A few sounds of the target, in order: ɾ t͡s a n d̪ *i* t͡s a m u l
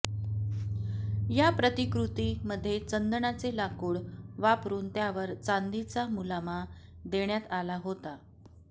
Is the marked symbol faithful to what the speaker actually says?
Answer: yes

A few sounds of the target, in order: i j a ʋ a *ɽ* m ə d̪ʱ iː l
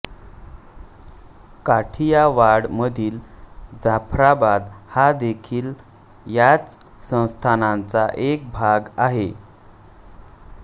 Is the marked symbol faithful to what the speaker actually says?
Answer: yes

